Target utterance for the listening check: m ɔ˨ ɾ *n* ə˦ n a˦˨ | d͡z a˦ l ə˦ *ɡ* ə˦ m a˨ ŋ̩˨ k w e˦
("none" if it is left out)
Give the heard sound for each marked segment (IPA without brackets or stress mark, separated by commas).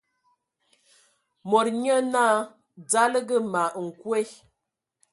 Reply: ɲ, ɡ